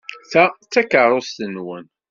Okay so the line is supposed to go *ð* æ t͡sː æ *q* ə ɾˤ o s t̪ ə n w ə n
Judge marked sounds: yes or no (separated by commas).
no, no